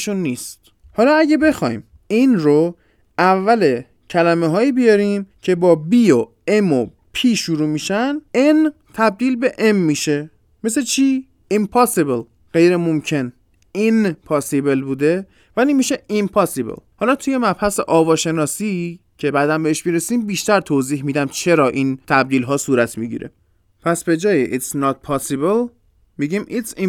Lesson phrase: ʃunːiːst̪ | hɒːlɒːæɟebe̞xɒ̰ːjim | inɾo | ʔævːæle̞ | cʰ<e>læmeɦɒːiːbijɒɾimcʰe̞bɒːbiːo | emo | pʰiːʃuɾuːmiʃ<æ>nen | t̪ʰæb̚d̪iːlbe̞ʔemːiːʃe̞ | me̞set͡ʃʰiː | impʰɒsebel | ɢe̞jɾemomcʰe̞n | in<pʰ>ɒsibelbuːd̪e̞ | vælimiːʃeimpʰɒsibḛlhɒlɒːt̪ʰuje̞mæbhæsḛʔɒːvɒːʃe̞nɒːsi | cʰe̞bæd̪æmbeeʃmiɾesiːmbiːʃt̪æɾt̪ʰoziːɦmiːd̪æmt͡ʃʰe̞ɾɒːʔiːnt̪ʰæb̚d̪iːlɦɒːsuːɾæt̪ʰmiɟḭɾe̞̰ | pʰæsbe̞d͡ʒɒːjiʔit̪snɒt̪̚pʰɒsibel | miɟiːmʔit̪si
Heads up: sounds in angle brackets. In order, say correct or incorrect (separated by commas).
incorrect, correct, correct